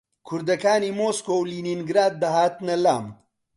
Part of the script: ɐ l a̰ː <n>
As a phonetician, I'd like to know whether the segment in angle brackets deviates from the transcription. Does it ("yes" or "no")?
yes